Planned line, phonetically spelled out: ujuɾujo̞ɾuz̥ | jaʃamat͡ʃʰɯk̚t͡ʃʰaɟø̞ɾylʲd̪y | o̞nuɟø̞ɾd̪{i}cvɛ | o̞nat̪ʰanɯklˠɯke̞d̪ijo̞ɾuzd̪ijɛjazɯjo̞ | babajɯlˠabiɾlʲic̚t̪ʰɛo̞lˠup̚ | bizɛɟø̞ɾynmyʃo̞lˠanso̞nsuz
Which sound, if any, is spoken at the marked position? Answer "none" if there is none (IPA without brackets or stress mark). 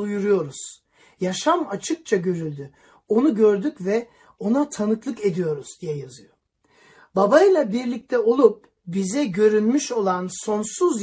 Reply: y